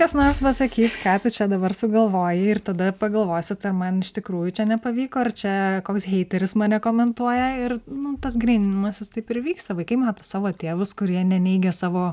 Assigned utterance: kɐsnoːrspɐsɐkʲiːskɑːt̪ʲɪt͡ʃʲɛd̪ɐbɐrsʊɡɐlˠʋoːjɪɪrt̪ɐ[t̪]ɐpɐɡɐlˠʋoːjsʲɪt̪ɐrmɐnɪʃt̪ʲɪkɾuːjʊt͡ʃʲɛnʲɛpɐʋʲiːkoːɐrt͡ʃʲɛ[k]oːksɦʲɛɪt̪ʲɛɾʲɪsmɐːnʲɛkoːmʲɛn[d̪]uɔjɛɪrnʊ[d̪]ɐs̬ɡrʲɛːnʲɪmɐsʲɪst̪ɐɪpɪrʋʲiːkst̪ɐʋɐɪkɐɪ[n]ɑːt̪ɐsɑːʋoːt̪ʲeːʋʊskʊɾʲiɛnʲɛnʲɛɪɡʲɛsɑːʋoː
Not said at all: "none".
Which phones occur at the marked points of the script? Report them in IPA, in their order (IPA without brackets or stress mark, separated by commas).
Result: d̪, k, t̪, t̪, m